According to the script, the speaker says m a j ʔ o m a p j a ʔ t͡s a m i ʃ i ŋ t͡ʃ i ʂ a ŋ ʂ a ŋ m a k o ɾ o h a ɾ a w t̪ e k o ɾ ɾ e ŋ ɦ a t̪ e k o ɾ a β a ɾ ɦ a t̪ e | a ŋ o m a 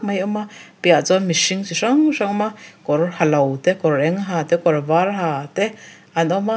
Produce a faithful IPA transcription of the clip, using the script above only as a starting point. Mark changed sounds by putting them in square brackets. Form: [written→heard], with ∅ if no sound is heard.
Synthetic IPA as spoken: m a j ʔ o m a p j a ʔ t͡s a m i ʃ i ŋ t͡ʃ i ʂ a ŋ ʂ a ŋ m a k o ɾ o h a [ɾ→l] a w t̪ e k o ɾ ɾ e ŋ ɦ a t̪ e k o ɾ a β a ɾ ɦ a t̪ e | a [ŋ→n] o m a